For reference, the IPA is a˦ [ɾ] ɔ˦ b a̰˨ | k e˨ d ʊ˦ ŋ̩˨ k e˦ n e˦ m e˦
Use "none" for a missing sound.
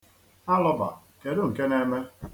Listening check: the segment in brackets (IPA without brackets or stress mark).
l